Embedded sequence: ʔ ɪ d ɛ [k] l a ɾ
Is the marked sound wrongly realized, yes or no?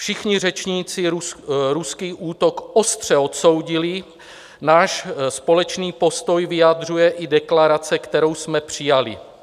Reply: no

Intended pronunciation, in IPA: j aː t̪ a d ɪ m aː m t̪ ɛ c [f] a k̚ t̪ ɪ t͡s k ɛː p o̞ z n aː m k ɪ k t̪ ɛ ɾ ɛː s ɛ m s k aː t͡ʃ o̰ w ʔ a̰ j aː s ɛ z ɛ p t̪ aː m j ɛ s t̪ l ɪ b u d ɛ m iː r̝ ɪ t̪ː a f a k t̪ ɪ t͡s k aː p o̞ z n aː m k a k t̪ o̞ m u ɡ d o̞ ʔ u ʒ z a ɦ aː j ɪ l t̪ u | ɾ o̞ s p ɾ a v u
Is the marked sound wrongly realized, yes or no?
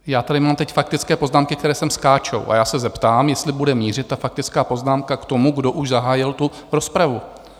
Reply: no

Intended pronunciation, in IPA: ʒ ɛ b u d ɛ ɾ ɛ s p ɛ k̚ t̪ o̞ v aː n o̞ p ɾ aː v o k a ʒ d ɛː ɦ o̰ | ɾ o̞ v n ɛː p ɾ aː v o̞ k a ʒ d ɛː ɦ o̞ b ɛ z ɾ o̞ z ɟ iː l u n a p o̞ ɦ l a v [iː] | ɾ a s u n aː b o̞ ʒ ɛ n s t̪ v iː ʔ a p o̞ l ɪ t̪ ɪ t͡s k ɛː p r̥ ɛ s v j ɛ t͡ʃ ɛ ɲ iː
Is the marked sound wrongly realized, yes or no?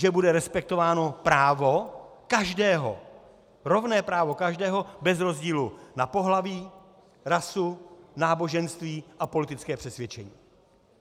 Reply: no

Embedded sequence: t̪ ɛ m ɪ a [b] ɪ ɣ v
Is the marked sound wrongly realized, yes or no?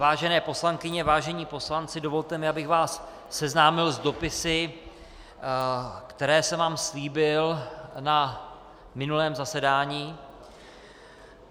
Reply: no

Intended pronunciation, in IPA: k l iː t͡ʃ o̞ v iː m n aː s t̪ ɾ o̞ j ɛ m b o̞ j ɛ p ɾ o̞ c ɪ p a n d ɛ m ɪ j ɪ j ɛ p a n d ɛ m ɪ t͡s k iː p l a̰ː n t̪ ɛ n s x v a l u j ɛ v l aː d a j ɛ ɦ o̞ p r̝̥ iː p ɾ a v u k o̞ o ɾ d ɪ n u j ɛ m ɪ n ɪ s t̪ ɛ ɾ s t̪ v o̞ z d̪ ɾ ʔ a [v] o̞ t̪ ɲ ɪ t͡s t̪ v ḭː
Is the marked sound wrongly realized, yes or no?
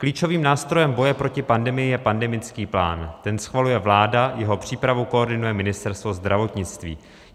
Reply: no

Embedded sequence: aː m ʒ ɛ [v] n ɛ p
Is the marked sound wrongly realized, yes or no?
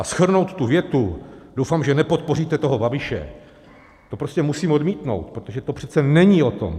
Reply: yes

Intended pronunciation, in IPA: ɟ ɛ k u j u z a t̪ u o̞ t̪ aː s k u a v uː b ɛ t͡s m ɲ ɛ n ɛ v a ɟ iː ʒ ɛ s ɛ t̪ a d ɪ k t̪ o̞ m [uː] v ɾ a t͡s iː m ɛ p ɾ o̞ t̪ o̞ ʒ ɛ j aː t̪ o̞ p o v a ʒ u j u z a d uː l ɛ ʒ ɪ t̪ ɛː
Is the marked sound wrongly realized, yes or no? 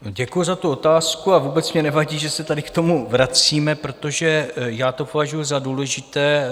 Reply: yes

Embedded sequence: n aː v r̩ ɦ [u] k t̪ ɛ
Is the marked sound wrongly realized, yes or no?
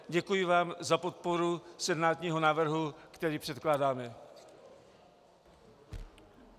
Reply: no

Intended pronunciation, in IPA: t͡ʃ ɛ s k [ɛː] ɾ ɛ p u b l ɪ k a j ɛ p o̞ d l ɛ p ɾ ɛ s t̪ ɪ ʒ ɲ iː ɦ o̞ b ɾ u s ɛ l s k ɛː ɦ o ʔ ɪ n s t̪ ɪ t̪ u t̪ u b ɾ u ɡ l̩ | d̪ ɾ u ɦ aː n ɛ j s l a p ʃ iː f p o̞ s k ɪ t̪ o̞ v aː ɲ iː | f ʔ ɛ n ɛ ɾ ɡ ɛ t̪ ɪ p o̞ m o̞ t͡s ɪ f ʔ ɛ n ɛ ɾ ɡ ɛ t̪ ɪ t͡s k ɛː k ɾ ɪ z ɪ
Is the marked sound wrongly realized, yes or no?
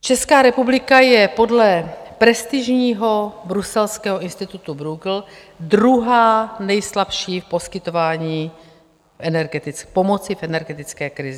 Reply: yes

